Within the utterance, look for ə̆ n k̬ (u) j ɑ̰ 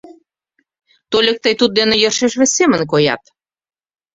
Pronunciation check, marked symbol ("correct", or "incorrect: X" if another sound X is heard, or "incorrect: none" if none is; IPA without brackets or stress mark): incorrect: o